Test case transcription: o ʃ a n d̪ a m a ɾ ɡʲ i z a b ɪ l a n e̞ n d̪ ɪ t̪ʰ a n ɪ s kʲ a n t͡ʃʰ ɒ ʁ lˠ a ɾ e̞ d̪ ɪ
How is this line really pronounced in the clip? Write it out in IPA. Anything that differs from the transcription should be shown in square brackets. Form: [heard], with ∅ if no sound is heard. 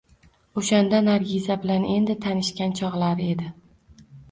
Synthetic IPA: o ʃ a n d̪ a [n] a ɾ ɡʲ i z a b ɪ l a n e̞ n d̪ ɪ t̪ʰ a n ɪ [ʃ] kʲ a n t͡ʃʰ ɒ ʁ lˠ a ɾ e̞ d̪ ɪ